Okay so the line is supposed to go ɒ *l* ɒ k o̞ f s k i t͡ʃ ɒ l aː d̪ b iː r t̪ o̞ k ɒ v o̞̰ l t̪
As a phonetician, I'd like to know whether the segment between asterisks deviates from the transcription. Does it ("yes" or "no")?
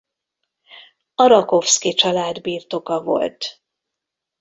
yes